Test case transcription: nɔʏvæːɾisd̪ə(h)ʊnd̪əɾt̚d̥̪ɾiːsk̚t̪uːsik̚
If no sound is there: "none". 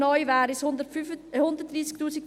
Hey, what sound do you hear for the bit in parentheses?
h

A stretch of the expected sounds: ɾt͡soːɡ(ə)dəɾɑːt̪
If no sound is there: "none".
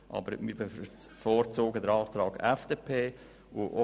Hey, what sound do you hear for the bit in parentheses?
ə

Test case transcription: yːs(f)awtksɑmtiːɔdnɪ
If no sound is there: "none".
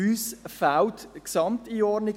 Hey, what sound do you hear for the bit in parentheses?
f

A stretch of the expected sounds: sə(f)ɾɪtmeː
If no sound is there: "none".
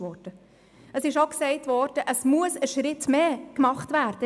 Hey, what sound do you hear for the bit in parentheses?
ʃ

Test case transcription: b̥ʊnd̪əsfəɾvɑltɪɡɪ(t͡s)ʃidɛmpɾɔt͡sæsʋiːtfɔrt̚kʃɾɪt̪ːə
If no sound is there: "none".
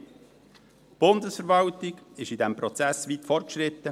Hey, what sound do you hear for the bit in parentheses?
none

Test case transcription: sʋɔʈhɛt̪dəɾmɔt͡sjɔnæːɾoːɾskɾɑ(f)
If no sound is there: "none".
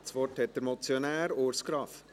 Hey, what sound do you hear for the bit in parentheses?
f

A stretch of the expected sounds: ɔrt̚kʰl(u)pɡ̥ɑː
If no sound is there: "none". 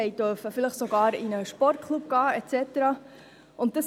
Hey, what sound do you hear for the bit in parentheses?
u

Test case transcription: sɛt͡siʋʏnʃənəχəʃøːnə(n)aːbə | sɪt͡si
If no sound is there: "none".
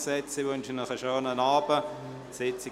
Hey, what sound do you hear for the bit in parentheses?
n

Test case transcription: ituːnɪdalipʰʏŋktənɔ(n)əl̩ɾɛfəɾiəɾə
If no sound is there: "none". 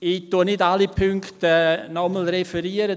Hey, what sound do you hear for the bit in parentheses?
m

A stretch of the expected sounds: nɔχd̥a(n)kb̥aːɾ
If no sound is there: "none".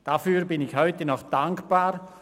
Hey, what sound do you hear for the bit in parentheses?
ŋ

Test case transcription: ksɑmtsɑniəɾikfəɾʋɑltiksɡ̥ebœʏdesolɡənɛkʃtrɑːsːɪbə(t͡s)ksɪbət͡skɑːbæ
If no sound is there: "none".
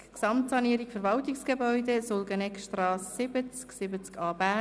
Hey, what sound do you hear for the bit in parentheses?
t͡s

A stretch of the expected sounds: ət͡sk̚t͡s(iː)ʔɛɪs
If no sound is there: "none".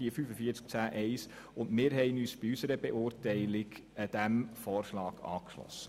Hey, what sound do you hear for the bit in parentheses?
æː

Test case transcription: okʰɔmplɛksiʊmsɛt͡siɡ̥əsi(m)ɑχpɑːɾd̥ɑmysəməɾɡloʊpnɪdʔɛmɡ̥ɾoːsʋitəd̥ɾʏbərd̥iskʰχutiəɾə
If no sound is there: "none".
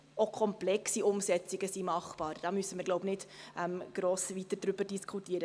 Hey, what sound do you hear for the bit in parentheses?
m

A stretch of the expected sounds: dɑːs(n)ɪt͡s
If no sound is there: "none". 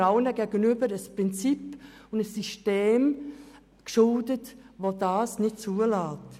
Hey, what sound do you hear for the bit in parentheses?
n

